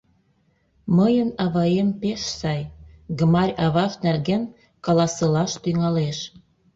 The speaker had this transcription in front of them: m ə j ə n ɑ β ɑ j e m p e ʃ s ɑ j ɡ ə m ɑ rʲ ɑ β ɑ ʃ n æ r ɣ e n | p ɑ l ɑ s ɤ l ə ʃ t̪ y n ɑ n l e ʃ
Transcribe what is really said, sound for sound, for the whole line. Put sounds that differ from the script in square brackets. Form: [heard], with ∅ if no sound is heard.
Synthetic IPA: m ə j ə n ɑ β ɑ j e m p e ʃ s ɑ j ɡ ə m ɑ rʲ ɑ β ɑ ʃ n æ r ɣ e n | [k] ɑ l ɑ s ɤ l [ɑ] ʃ t̪ y [ŋ] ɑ [∅] l e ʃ